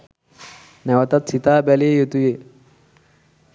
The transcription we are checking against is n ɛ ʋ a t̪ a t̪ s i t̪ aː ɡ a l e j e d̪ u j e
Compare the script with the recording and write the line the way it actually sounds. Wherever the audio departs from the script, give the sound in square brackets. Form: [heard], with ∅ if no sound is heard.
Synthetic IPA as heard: n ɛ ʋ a t̪ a t̪ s i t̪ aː [b] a l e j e [t̪] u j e